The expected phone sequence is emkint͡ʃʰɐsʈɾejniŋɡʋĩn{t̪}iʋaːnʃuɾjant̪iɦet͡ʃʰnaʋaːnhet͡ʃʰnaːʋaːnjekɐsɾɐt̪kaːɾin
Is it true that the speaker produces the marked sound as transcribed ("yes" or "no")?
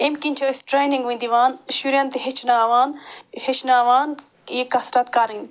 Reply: no